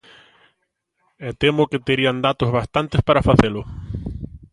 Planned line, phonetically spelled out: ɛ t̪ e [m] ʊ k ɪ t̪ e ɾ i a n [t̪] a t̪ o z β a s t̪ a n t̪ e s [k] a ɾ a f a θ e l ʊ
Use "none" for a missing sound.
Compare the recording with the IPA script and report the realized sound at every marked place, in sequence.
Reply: m, d̪, p

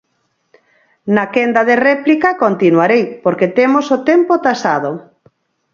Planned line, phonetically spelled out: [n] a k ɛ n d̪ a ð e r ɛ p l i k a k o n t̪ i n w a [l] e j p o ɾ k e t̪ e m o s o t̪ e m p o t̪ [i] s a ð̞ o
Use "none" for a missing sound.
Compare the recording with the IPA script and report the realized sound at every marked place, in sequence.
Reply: n, ɾ, a

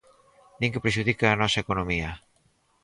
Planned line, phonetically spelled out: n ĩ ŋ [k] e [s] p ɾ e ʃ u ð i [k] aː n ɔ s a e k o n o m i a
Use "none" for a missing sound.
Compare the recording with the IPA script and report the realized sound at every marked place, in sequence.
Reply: k, none, k

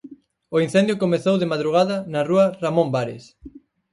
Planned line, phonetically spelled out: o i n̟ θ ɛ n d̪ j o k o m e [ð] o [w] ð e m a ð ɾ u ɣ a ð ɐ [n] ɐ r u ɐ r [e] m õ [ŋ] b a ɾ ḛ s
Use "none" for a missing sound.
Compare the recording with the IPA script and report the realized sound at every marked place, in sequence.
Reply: θ, w, n, a, m

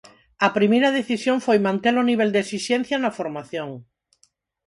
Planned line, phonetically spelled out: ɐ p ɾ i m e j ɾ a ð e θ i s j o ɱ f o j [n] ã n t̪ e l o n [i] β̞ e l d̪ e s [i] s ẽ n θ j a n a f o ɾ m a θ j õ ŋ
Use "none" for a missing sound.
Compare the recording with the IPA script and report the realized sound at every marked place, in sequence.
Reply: m, i, i

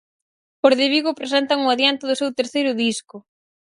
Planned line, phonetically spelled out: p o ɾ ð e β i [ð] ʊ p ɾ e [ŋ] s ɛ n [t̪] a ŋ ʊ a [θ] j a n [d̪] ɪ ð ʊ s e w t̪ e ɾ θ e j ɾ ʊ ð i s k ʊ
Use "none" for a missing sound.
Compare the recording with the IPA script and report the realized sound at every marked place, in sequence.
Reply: ɣ, none, t̪, ð, t̪

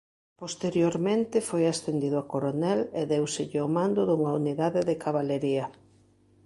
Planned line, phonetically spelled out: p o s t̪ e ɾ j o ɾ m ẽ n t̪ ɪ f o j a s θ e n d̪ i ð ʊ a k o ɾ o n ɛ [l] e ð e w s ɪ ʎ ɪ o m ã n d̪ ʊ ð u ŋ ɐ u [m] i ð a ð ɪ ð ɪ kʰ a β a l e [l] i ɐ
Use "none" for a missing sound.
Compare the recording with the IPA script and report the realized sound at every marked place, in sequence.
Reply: l, n, ɾ

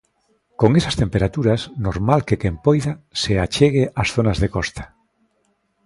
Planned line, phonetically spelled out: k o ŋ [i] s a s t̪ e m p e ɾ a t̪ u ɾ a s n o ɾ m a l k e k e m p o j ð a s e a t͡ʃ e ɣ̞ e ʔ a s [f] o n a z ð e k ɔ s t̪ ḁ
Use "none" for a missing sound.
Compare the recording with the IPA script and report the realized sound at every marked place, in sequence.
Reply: e, θ

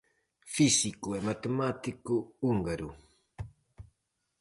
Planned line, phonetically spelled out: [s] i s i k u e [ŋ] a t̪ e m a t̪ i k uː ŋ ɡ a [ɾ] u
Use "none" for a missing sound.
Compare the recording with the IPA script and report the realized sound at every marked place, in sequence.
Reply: f, m, ɾ

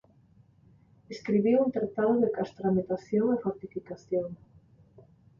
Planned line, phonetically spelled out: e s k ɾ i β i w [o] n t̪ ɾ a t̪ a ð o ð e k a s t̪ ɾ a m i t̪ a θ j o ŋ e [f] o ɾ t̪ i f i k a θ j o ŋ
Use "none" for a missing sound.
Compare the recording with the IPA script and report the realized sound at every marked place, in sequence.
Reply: u, f

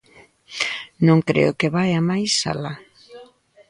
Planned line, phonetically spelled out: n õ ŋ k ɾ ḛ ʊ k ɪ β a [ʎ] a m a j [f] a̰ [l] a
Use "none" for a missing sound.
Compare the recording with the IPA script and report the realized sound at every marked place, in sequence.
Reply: j, s, l

